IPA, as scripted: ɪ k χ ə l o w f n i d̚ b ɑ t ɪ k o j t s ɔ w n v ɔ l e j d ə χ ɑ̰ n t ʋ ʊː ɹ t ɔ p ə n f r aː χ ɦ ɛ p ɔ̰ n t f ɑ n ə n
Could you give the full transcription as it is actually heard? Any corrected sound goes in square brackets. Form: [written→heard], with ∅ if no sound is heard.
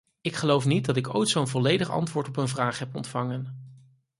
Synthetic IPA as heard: ɪ k χ ə l o w f n i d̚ [b→d] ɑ t ɪ k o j t s [ɔ→o] w n v ɔ l e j d ə χ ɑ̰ n t ʋ ʊː ɹ t ɔ p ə n [f→v] r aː χ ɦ ɛ p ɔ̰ n t f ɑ [n→ŋ] ə n